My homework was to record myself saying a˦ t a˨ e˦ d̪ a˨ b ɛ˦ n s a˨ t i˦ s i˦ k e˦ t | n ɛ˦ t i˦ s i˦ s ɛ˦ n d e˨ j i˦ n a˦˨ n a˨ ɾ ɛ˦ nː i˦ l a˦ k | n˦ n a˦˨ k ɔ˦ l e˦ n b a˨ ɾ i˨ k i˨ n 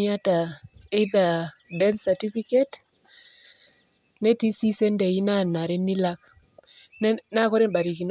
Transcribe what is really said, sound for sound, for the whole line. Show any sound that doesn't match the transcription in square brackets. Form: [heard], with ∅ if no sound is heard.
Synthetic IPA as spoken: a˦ t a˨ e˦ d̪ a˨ [d] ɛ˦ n s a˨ t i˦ [f] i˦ k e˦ t | n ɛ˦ t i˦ s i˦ s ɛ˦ n d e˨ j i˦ n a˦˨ n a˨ ɾ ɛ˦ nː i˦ l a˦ k | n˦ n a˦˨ k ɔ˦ [ɾ] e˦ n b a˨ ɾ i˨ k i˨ n